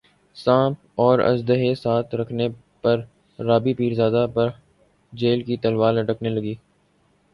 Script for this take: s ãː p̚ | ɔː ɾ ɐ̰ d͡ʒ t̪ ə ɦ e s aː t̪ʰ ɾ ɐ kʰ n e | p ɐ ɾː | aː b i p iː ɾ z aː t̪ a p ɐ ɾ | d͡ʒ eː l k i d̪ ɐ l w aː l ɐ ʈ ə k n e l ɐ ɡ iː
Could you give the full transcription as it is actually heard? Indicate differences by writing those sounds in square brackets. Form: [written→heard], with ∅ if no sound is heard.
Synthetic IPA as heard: s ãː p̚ | ɔː ɾ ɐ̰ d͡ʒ [t̪→d̪] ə ɦ e s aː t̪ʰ ɾ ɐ kʰ n e | p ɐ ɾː | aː b i p iː ɾ z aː [t̪→d̪] a p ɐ ɾ | d͡ʒ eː l k i [d̪→t̪] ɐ l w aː l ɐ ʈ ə k n e l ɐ ɡ iː